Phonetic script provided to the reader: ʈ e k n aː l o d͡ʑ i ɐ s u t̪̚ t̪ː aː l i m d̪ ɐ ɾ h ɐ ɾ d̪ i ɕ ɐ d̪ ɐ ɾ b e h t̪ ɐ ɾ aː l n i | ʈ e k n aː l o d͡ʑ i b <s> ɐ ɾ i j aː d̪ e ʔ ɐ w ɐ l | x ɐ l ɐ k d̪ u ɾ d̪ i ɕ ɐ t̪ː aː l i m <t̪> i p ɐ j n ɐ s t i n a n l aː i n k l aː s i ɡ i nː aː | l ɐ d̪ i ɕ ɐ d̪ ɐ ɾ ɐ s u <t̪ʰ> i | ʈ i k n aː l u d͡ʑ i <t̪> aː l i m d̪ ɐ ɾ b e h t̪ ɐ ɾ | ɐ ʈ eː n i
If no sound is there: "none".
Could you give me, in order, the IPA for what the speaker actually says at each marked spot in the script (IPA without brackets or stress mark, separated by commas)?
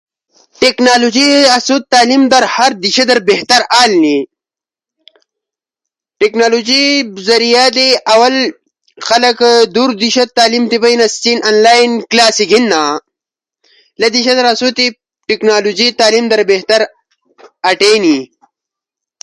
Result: z, t̪, t̪, t̪